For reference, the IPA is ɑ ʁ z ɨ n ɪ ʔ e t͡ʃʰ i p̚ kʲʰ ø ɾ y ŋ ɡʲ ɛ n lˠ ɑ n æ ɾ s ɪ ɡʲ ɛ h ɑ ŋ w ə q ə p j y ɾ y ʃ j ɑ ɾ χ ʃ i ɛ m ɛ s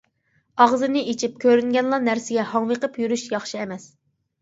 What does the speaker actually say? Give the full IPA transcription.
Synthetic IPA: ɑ ʁ z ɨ n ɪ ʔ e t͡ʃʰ i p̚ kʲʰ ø ɾ y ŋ ɡʲ ɛ n lˠ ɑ n æ ɾ s ɪ ɡʲ ɛ h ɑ ŋ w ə q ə p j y ɾ y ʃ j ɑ χ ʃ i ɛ m ɛ s